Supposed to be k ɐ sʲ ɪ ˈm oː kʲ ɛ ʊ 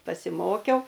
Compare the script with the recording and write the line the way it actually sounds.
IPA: p ɐ sʲ ɪ ˈm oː kʲ ɛ ʊ